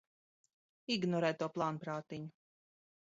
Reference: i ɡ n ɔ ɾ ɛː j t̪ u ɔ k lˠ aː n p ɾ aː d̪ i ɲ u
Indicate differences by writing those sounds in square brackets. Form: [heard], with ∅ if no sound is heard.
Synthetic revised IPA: i ɡ n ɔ ɾ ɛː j t̪ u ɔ [p] lˠ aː n p ɾ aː [t̪] i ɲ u

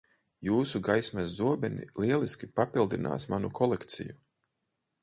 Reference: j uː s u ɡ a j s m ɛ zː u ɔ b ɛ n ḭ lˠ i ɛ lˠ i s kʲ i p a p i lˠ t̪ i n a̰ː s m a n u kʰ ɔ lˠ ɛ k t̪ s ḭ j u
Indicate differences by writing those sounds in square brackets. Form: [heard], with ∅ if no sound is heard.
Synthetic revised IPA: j uː s u ɡ a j s m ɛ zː u ɔ b ɛ n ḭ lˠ i ɛ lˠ i s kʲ i p a p i lˠ [d̪] i n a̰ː s m a n u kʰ ɔ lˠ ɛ k t̪ s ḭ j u

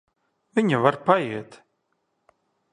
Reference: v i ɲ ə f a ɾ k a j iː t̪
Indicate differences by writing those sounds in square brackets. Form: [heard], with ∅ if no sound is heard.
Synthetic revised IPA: v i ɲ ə [v] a ɾ [p] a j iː t̪

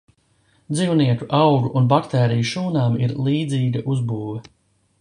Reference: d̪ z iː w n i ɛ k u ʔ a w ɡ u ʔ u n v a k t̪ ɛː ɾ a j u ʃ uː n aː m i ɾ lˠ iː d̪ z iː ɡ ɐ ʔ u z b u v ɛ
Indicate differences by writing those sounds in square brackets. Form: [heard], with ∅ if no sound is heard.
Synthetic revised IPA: d̪ z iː w n i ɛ k u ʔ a w ɡ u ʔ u n [b] a k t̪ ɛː ɾ [i] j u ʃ uː n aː m i ɾ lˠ iː d̪ z iː ɡ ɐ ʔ u z b [uː] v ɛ

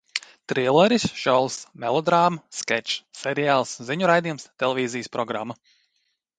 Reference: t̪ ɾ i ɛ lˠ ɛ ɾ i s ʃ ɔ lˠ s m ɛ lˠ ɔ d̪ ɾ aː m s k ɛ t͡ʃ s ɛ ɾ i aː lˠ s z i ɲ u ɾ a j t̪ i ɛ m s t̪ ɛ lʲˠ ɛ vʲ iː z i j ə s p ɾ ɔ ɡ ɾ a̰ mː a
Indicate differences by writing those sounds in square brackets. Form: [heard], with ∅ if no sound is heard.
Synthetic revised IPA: t̪ ɾ i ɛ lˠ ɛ ɾ i s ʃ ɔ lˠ s m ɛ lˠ ɔ d̪ ɾ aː m s k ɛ t͡ʃ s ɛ ɾ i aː lˠ s z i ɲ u ɾ a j [d̪] i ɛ m s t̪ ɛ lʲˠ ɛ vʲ iː z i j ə s p ɾ ɔ ɡ ɾ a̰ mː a

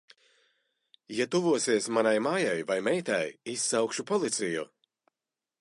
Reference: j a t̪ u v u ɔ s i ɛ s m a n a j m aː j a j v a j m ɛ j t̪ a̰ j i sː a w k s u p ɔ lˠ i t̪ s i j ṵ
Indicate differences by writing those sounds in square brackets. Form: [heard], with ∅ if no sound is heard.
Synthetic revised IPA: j a t̪ u v u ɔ s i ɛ s m a n a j m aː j a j v a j m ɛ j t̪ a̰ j i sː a w k [ʃ] u p ɔ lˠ i t̪ s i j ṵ

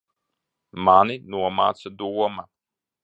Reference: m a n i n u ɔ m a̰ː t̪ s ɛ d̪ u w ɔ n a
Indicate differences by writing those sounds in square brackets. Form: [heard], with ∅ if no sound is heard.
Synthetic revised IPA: m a n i n u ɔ m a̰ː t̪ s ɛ d̪ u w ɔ [m] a

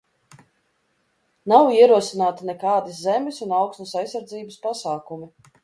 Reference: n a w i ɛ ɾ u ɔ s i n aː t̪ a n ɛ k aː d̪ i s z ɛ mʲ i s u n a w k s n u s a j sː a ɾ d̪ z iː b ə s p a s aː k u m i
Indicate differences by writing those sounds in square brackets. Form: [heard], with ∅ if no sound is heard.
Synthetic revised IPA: n a w i ɛ ɾ u ɔ s i n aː t̪ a n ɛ k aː d̪ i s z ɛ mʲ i s u n a w k s n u s a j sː a ɾ d̪ z iː b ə s p a s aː k u m i

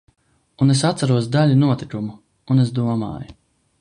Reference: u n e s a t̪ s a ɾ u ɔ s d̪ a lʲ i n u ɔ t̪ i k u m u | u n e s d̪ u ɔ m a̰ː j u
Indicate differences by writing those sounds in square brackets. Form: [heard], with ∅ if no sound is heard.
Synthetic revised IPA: u n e s a t̪ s a ɾ u ɔ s d̪ a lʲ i n u ɔ t̪ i k u m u | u n e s d̪ u ɔ m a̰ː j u

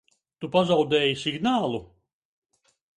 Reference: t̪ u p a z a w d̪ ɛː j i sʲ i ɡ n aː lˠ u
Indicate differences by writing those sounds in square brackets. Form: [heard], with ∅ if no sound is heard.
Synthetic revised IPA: t̪ u p a z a w d̪ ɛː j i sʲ i ɡ n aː lˠ u

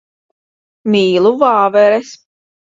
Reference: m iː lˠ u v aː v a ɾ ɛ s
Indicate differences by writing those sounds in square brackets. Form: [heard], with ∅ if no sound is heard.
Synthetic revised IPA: m iː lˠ u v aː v [ɛ] ɾ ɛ s

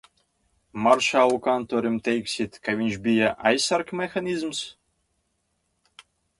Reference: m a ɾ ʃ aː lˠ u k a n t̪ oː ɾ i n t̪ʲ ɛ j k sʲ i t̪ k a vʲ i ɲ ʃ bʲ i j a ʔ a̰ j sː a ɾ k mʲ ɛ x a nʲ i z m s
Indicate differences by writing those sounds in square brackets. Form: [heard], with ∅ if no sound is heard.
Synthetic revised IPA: m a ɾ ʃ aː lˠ u k a n t̪ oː ɾ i [m] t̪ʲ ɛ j k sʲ i t̪ k a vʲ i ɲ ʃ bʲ i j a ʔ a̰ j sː a ɾ k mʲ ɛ x a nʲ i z m s

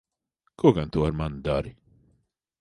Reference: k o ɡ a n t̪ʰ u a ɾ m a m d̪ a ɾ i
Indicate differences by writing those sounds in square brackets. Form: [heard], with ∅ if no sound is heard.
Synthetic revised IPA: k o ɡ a n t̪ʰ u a ɾ m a [n] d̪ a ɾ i

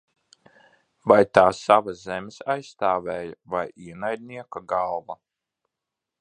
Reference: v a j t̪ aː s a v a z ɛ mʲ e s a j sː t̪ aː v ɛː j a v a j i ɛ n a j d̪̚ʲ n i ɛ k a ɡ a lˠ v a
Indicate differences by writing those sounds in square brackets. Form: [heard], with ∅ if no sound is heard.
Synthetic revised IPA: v a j t̪ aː s a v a z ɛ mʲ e s a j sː t̪ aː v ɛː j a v a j i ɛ n a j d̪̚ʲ n i ɛ k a ɡ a lˠ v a

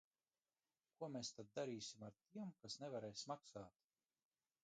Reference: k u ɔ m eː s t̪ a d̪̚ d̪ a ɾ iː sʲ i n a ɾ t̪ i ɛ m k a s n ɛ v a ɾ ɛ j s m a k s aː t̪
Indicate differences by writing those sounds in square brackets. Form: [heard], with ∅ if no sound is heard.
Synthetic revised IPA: k u ɔ m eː s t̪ a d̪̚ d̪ a ɾ iː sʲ i [m] a ɾ t̪ i ɛ m k a s n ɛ v a ɾ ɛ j s m a k s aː t̪

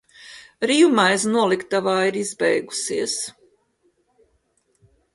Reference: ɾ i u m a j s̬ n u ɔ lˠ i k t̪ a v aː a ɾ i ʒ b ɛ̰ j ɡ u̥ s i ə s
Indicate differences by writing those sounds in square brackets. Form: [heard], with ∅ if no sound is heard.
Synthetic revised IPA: ɾ i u m a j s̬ n u ɔ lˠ i k t̪ a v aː [i] ɾ i [z] b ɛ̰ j ɡ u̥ s i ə s

